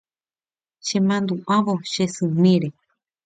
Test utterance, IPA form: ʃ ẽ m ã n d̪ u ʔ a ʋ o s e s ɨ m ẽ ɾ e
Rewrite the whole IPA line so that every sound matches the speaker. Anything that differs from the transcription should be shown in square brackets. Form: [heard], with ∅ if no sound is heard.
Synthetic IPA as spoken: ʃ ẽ m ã n d̪ u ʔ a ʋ o [ʃ] e s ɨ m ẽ ɾ e